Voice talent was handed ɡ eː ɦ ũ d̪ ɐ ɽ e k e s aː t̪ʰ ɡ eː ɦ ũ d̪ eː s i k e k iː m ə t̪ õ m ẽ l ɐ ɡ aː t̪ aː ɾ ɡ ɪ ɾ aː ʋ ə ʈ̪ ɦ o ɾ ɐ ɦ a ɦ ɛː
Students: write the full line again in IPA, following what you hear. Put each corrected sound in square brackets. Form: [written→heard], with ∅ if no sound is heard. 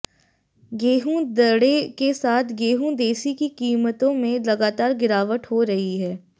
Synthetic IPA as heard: ɡ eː ɦ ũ d̪ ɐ ɽ e k e s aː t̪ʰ ɡ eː ɦ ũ d̪ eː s i k [e→i] k iː m ə t̪ õ m ẽ l ɐ ɡ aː t̪ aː ɾ ɡ ɪ ɾ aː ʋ ə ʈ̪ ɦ o ɾ ɐ ɦ [a→i] ɦ ɛː